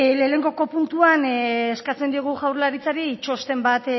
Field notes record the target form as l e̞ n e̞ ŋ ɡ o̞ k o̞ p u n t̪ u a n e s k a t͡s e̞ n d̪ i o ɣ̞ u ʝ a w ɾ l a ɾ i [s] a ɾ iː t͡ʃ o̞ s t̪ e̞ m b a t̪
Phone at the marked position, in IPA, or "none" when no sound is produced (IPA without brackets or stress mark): t͡s